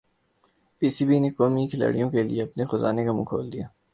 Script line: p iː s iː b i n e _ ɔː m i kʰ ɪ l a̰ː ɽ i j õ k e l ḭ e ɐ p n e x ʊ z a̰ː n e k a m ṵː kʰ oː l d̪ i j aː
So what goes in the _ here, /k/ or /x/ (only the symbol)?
k